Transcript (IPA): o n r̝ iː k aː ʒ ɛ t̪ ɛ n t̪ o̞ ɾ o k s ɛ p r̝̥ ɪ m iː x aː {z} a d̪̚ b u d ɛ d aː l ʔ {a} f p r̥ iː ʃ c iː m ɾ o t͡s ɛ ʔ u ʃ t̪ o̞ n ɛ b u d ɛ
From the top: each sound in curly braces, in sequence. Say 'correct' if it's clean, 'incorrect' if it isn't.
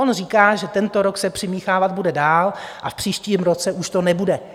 incorrect, correct

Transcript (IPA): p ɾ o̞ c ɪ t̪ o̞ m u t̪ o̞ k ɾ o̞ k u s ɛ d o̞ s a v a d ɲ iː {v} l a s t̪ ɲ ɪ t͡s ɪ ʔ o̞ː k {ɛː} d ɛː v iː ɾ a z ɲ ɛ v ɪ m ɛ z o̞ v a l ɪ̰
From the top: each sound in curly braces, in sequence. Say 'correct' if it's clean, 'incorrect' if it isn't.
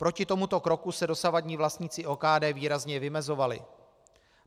correct, incorrect

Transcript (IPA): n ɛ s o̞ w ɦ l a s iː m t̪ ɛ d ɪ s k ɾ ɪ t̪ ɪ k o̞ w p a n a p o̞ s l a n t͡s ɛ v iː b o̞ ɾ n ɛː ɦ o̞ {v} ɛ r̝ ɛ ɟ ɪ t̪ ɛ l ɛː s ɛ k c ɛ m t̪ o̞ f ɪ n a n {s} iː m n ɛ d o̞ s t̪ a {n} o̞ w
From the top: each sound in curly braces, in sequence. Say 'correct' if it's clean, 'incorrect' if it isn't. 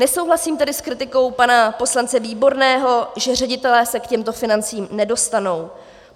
incorrect, incorrect, correct

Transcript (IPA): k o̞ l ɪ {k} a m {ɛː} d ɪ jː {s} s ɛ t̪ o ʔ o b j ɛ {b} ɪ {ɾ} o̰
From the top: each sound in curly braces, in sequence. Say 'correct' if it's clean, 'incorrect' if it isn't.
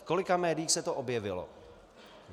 correct, correct, incorrect, incorrect, incorrect

